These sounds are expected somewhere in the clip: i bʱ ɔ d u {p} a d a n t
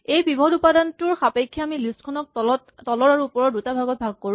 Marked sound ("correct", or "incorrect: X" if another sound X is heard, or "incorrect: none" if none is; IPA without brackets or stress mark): correct